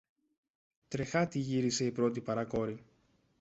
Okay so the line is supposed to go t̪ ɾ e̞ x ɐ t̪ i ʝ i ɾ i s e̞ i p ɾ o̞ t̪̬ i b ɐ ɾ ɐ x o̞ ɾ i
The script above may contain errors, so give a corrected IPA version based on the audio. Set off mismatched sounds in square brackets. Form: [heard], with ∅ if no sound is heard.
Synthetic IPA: t̪ ɾ e̞ x ɐ t̪ i ʝ i ɾ i s e̞ i p ɾ o̞ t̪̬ i [p] ɐ ɾ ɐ [k] o̞ ɾ i